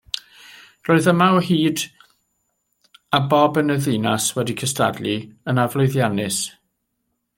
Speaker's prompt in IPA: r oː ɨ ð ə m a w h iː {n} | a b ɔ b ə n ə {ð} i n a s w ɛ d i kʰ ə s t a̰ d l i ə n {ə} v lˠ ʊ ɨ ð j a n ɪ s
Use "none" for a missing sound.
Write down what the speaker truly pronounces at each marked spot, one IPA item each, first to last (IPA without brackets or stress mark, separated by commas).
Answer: d, ð, a